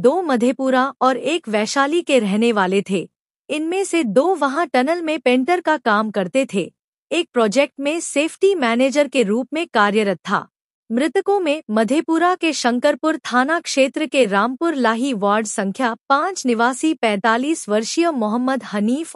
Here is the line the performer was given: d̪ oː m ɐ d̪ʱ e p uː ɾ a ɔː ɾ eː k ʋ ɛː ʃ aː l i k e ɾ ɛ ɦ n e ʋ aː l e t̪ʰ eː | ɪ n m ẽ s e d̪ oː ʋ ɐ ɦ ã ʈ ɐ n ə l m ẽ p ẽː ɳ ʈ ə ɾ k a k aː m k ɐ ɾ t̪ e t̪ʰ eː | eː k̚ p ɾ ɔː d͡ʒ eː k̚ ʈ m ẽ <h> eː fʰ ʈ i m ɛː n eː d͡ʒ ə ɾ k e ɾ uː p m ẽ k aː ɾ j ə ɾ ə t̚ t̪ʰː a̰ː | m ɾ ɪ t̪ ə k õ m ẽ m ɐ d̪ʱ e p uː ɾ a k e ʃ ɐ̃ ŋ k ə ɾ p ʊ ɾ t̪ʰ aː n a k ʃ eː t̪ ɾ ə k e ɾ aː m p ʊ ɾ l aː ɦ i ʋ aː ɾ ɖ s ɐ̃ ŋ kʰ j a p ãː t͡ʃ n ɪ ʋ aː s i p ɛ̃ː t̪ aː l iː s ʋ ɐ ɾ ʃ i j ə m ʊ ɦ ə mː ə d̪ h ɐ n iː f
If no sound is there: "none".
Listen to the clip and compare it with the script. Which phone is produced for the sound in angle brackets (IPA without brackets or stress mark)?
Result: s